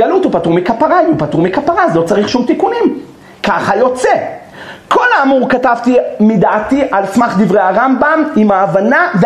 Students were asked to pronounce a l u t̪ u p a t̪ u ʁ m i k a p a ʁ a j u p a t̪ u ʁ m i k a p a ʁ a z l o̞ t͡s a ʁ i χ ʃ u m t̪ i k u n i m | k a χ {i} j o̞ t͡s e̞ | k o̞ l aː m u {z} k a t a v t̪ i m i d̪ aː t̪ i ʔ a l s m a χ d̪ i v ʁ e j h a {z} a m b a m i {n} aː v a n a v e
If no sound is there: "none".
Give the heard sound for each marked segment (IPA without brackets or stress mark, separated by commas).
a, ʁ, ʁ, m